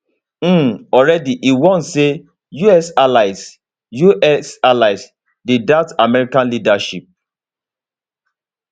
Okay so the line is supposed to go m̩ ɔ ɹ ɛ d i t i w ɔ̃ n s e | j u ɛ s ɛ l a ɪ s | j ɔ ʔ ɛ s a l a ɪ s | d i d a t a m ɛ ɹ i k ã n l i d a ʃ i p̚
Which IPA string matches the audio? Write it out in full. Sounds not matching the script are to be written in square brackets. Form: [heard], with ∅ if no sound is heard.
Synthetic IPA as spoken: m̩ ɔ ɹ ɛ d i [ʔ] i w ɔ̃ n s e | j u ɛ s [a] l a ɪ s | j [u] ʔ ɛ s a l a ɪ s | d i d a t a m ɛ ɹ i k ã n l i d a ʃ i p̚